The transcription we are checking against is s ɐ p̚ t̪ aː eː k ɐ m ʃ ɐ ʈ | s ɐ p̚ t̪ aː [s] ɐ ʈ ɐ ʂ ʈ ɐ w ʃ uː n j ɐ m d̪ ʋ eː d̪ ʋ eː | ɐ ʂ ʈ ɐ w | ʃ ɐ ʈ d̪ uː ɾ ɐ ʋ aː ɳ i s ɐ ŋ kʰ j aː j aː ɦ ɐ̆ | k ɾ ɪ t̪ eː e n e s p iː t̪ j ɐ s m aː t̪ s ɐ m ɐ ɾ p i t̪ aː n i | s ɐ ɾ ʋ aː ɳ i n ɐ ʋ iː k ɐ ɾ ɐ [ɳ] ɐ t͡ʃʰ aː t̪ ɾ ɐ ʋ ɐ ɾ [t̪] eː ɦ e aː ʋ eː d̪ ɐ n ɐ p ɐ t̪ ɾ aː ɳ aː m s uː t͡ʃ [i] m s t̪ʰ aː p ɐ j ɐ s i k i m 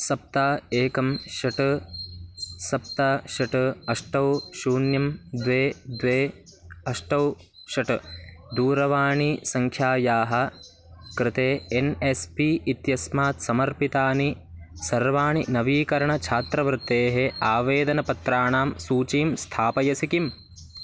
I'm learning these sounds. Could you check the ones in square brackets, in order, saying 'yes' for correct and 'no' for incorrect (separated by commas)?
no, yes, yes, no